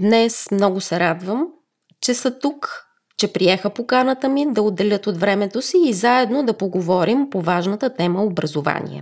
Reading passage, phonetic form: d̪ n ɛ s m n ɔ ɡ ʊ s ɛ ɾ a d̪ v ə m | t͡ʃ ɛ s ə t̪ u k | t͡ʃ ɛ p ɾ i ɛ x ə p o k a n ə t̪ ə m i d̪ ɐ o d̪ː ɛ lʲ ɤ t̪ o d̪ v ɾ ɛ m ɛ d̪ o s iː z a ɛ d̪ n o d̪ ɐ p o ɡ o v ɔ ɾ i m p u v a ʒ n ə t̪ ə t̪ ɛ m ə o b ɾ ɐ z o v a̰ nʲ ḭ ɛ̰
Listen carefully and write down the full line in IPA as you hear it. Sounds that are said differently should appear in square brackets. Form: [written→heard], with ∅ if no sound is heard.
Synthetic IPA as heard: d̪ n ɛ s m n ɔ ɡ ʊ s ɛ ɾ a d̪ v ə m | t͡ʃ ɛ s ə t̪ u k | t͡ʃ ɛ p ɾ i ɛ x ə p o k a n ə t̪ ə m i d̪ ɐ o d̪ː ɛ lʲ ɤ t̪ o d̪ v ɾ ɛ m ɛ [d̪→t̪] o s iː z a ɛ d̪ n o d̪ ɐ p o ɡ o v ɔ ɾ i m p [u→o] v a ʒ n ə t̪ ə t̪ ɛ m ə o b ɾ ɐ z o v a̰ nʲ ḭ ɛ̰